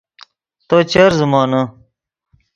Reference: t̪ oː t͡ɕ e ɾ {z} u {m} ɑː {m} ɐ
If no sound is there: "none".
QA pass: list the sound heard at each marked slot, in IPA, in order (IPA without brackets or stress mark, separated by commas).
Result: z, m, n